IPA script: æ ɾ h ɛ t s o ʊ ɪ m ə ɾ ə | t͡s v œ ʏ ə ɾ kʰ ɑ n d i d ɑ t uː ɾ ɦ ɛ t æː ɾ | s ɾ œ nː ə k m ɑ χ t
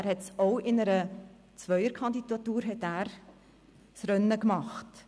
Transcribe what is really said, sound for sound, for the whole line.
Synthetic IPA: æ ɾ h ɛ t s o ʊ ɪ n ə ɾ ə | t͡s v œ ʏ ə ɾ kʰ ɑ n d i d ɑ t uː ɾ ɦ ɛ t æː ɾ | s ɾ œ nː ə k m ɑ χ t

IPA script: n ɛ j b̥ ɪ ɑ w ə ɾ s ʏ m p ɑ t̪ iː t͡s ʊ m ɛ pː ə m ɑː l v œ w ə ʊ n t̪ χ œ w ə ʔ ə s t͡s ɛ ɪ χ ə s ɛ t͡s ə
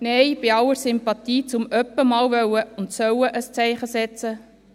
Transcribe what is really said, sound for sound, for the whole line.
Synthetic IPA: n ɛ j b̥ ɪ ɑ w ə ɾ s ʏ m p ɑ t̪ iː t͡s ʊ m œ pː ə m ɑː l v œ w ə ʊ n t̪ s œ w ə ʔ ə s t͡s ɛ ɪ χ ə s ɛ t͡s ə

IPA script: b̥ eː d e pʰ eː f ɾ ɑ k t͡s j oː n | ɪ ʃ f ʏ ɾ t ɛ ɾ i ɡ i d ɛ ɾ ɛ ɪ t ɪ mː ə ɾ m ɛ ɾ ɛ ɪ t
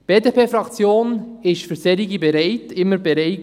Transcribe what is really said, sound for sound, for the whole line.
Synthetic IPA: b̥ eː d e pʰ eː f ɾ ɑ k t͡s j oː n | ɪ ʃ f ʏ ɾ s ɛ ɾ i ɡ i b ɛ ɾ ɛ ɪ t ɪ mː ə ɾ b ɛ ɾ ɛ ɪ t

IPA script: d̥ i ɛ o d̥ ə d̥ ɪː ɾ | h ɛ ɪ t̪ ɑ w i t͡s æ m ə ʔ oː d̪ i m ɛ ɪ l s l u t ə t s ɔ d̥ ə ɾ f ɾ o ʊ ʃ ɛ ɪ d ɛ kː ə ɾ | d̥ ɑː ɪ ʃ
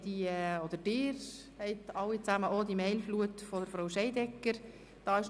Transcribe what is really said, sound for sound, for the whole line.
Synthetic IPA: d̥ i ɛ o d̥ ə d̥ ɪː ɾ | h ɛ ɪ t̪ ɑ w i t͡s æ m ə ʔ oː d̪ i m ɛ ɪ l f l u ə t f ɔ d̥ ə ɾ f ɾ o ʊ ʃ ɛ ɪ d ɛ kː ə ɾ | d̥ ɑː ɪ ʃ

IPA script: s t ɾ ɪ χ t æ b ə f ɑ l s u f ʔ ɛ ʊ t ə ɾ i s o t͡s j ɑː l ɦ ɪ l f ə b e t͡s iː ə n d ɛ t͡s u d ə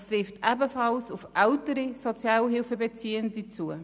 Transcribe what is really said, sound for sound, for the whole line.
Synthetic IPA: s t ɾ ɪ f t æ b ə f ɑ l s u f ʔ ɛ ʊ t ə ɾ i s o t͡s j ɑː l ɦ ɪ l f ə b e t͡s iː ə n d i t͡s u ə

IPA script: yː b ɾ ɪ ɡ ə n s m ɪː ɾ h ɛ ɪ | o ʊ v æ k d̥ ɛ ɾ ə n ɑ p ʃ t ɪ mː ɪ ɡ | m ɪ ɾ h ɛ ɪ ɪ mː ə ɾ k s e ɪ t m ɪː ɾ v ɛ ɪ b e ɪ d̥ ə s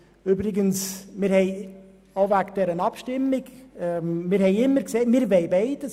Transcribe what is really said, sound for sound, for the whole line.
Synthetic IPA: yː b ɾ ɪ ɡ ə n s m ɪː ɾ h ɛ ɪ | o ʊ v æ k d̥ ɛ ɾ ə n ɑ p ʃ t ɪ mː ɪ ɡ | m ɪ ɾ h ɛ ɪ ɪ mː ə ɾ k s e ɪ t m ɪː ɾ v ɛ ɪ b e ɪ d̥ ə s

